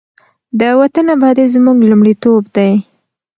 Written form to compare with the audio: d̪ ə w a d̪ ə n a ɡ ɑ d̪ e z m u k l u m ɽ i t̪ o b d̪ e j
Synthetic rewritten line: d̪ ə w a t̪ ə n a b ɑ d̪ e z m u ɡ l u m ɽ i t̪ o b d̪ a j